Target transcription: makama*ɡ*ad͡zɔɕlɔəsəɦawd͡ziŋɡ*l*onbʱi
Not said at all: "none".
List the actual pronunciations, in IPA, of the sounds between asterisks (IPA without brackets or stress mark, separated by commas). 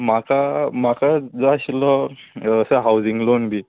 k, l